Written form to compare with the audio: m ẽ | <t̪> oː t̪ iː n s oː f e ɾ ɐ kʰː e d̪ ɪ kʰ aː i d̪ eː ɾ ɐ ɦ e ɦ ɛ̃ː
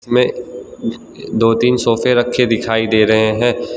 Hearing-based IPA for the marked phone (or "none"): d̪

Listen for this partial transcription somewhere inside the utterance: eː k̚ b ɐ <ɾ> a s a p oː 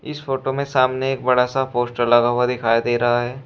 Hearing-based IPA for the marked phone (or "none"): ɽ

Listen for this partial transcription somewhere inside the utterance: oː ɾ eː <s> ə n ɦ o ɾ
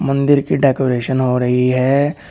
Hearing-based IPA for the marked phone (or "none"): ʃ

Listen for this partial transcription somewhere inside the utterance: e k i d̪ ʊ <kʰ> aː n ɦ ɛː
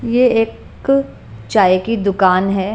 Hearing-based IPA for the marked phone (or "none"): k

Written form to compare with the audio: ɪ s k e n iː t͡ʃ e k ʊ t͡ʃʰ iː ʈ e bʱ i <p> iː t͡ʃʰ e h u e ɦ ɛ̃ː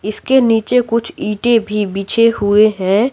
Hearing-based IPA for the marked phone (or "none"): b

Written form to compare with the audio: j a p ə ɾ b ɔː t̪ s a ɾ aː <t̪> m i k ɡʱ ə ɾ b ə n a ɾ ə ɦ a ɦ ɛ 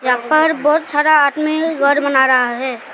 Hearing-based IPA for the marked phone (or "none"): t̪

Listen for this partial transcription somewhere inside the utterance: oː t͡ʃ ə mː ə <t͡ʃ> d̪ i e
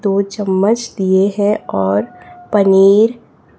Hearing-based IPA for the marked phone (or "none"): t͡ʃ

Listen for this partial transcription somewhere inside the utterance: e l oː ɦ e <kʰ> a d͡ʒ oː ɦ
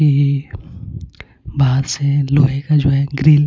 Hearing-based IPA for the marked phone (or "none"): k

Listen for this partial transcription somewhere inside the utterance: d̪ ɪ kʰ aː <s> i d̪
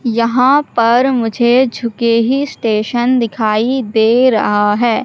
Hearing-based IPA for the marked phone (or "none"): none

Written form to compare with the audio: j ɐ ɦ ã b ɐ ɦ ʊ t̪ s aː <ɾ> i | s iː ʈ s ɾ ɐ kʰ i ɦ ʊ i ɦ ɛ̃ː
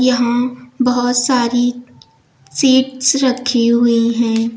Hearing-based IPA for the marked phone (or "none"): ɾ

